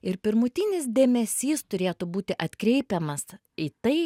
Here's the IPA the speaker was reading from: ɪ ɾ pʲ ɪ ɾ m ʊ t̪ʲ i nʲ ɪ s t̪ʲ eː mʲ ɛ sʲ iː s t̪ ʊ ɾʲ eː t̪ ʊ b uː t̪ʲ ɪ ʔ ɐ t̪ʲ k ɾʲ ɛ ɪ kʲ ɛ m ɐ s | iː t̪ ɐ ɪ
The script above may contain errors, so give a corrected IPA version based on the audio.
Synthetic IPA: ɪ ɾ pʲ ɪ ɾ m ʊ t̪ʲ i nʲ ɪ s d̪ʲ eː mʲ ɛ sʲ iː s t̪ ʊ ɾʲ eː t̪ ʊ b uː t̪ʲ ɪ ʔ ɐ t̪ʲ k ɾʲ ɛ ɪ pʲ ɛ m ɐ s | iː t̪ ɐ ɪ

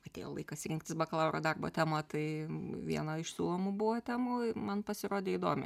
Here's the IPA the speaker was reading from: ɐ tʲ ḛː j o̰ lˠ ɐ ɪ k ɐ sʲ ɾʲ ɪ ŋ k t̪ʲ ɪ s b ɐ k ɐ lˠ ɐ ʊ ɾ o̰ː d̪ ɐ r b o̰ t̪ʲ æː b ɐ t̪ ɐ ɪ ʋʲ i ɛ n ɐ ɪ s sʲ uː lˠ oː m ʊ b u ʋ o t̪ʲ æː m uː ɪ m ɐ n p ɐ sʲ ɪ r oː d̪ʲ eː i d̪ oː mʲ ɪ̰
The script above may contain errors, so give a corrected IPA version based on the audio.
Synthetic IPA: ɐ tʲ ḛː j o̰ lˠ ɐ ɪ k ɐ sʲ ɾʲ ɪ ŋ k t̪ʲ ɪ s b ɐ k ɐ lˠ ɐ ʊ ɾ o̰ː d̪ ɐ r b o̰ t̪ʲ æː m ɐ t̪ ɐ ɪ ʋʲ i ɛ n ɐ ɪ ʃ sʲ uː lˠ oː m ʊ b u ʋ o t̪ʲ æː m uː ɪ m ɐ n p ɐ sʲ ɪ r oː d̪ʲ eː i d̪ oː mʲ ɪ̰

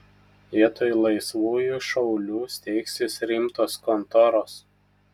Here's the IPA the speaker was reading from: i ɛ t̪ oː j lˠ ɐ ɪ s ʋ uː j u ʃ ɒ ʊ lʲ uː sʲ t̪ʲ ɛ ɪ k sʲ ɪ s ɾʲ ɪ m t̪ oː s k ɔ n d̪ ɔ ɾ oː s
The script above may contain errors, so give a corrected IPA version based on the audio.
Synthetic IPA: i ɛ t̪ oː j lˠ ɐ ɪ s ʋ uː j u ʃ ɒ ʊ lʲ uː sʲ t̪ʲ ɛ ɪ k sʲ ɪ s ɾʲ ɪ m t̪ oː s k ɔ n t̪ ɔ ɾ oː s

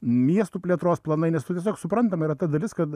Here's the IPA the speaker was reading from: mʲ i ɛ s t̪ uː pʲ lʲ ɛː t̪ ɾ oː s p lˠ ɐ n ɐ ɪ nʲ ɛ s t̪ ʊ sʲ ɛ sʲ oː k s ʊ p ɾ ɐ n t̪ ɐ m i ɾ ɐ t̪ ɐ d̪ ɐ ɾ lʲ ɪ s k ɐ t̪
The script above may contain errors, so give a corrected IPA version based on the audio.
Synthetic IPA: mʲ i ɛ s t̪ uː pʲ lʲ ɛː t̪ ɾ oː s p lˠ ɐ n ɐ ɪ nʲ ɛ s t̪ ʊ tʲ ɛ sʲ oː k s ʊ p ɾ ɐ n t̪ ɐ m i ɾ ɐ t̪ ɐ d̪ ɐ lʲ ɪ s k ɐ t̪

